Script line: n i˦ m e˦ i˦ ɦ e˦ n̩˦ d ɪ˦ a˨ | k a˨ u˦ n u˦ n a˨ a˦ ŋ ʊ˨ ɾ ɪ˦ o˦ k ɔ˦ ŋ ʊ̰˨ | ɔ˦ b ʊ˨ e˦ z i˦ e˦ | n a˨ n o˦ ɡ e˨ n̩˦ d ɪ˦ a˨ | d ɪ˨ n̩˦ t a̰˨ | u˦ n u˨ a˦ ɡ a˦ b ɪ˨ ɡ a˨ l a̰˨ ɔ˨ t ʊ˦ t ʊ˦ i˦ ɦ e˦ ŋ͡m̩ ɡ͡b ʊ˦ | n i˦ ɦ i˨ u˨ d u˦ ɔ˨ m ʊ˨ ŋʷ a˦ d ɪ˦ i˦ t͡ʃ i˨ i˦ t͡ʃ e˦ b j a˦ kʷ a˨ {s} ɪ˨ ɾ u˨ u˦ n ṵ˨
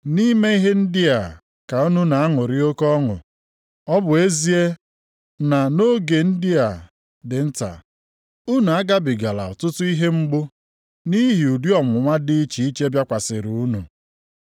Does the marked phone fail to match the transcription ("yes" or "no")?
no